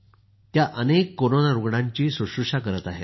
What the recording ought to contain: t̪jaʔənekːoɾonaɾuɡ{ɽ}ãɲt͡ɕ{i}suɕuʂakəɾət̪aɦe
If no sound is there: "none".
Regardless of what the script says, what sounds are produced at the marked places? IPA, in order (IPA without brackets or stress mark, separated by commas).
ɽ, iː